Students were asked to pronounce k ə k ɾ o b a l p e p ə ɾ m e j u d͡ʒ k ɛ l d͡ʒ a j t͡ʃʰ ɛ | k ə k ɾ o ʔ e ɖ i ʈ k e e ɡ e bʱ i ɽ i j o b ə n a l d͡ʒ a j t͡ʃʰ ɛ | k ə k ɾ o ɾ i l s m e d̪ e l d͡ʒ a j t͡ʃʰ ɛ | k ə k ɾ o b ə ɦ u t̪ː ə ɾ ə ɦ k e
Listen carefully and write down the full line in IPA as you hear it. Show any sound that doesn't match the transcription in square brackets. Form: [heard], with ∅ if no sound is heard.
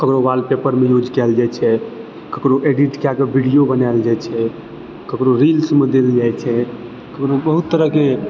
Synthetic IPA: k ə k ɾ o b a l p e p ə ɾ m e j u d͡ʒ k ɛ l d͡ʒ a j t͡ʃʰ ɛ | k ə k ɾ o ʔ e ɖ i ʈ k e [a] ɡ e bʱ i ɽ i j o b ə n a l d͡ʒ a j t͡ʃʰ ɛ | k ə k ɾ o ɾ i l s m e d̪ e l d͡ʒ a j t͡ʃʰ ɛ | k ə k ɾ o b ə ɦ u t̪ː ə ɾ ə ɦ k e